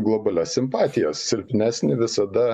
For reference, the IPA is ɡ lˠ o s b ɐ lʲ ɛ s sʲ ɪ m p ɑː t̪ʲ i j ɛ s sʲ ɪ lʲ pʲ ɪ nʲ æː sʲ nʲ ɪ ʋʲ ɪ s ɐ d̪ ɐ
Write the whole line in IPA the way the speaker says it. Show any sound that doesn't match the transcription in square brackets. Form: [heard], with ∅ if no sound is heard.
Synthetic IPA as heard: ɡ lˠ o [∅] b ɐ lʲ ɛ s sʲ ɪ m p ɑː t̪ʲ [ɪ] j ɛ s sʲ ɪ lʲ pʲ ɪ nʲ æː sʲ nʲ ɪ ʋʲ ɪ s ɐ d̪ ɐ